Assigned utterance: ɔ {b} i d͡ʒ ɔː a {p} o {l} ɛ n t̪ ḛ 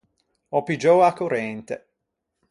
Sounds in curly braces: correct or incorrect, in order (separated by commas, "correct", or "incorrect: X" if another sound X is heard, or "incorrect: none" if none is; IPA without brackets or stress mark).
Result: incorrect: p, incorrect: k, incorrect: ɾ